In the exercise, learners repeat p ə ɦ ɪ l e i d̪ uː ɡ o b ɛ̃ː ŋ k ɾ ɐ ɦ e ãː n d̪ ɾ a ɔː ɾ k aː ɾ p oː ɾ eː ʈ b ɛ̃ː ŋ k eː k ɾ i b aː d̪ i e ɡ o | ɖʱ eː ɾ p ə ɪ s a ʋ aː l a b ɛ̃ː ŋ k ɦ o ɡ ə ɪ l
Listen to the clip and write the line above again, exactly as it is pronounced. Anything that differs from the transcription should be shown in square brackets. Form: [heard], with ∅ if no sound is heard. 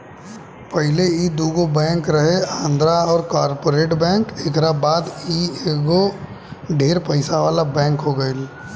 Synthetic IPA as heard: p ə ɦ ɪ l e i d̪ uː ɡ o b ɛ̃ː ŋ k ɾ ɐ ɦ e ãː n d̪ ɾ a ɔː ɾ k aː ɾ p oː ɾ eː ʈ b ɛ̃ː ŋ k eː k ɾ [a] b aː d̪ i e ɡ o | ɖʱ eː ɾ p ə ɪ s a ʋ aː l a b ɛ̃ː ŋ k ɦ o ɡ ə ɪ l

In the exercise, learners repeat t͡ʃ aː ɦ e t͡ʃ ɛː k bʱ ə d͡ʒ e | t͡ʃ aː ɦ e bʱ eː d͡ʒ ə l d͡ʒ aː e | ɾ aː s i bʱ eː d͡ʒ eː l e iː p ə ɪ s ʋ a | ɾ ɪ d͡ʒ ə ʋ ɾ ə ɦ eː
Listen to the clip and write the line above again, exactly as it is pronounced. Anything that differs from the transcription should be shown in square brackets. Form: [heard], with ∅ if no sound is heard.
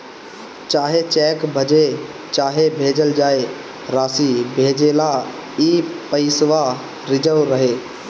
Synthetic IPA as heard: t͡ʃ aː ɦ e t͡ʃ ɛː k bʱ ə d͡ʒ e | t͡ʃ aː ɦ e bʱ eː d͡ʒ ə l d͡ʒ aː e | ɾ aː s i bʱ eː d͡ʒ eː l [a] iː p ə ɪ s ʋ a | ɾ ɪ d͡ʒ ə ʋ ɾ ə ɦ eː

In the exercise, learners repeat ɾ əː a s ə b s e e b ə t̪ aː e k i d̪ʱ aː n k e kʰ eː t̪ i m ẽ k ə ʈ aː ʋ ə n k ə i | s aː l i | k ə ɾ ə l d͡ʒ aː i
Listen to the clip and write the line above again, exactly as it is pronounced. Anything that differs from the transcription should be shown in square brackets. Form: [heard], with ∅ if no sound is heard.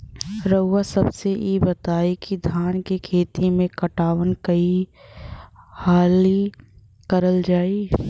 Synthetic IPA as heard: ɾ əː a s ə b s e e b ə t̪ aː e k i d̪ʱ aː n k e kʰ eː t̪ i m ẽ k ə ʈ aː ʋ ə n k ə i | [h] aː l i | k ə ɾ ə l d͡ʒ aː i

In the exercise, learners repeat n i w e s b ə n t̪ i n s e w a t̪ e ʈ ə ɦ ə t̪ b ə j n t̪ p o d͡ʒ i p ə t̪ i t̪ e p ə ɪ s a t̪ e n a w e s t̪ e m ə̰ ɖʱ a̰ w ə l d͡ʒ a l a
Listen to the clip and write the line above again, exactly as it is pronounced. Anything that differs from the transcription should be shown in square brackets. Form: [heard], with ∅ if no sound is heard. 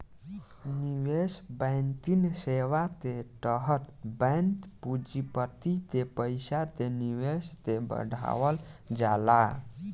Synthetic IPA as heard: n i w e s b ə n t̪ i n s e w a t̪ e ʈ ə ɦ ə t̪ b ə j n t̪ p [u] d͡ʒ i p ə t̪ i t̪ e p ə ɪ s a t̪ e n [i] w e s t̪ e [b] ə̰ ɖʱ a̰ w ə l d͡ʒ a l a

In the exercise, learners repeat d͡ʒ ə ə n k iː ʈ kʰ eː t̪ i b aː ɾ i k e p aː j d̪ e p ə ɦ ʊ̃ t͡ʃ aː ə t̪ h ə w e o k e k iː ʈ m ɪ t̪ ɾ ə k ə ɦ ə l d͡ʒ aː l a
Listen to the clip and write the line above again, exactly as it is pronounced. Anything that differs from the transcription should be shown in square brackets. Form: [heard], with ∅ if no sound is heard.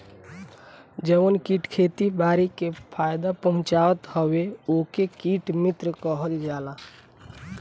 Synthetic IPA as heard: d͡ʒ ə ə n k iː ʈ kʰ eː t̪ i b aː ɾ i k e [pʰ] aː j d̪ [a] p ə ɦ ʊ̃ t͡ʃ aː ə t̪ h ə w e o k e k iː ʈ m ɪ t̪ ɾ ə k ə ɦ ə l d͡ʒ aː l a

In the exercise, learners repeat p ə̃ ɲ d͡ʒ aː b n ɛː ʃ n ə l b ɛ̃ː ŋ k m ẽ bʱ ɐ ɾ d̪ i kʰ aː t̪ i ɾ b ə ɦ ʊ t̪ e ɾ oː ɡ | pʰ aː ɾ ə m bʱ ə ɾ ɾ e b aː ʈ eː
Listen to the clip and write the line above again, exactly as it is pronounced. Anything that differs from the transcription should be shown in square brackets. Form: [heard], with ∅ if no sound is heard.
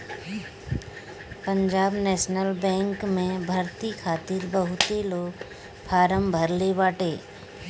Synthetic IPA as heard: p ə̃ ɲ d͡ʒ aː b n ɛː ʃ n ə l b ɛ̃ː ŋ k m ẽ bʱ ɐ ɾ [t̪] i kʰ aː t̪ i ɾ b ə ɦ ʊ t̪ e [l] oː ɡ | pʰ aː ɾ ə m bʱ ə ɾ [l] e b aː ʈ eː

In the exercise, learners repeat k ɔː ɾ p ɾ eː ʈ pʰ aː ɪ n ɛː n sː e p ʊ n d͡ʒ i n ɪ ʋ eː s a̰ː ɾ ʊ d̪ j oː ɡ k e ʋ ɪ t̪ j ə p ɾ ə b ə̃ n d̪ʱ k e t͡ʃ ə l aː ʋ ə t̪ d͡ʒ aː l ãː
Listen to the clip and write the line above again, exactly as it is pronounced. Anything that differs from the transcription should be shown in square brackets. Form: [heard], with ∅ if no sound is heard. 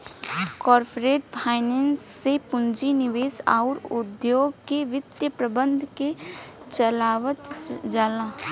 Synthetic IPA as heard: k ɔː ɾ p ɾ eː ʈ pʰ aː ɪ n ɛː n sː e p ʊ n d͡ʒ i n ɪ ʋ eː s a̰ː ɾ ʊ d̪ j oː ɡ k e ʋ ɪ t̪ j ə p ɾ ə b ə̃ n d̪ʱ k e t͡ʃ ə l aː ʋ ə t̪ d͡ʒ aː l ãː

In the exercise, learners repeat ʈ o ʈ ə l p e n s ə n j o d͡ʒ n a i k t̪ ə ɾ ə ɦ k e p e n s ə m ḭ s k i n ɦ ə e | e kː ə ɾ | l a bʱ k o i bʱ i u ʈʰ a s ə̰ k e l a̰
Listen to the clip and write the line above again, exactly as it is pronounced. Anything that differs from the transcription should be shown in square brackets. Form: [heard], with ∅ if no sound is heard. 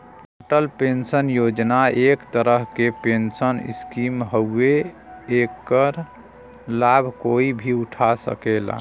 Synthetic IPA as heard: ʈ o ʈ ə l p e n s ə n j o d͡ʒ n a [e] k t̪ ə ɾ ə ɦ k e p e n s ə [n] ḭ s k i [m] ɦ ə e | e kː ə ɾ | l a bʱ k o i bʱ i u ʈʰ a s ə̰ k e l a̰

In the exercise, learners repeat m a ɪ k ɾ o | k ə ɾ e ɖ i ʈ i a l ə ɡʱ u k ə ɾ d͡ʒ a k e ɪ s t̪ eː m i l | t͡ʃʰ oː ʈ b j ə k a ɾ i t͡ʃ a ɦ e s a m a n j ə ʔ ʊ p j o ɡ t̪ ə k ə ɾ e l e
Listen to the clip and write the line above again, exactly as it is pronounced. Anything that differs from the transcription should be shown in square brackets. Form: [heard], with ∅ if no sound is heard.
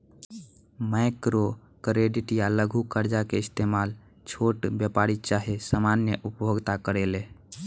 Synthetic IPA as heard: m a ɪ k ɾ o | k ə ɾ e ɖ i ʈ [j] a l ə ɡʱ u k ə ɾ d͡ʒ a k e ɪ s t̪ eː m [a] l | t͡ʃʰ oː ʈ b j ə [p] a ɾ i t͡ʃ a ɦ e s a m a n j ə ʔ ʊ p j o ɡ t̪ [a] k ə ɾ e l e

